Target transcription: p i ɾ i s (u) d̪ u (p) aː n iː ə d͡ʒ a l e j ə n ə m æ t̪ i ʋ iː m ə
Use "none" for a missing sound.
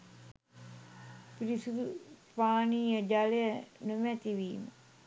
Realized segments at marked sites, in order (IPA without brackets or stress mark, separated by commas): u, p